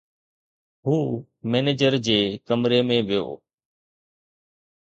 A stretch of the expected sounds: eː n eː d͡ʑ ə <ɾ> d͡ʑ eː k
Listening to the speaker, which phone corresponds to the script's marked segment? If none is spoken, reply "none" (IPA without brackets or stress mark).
ɾ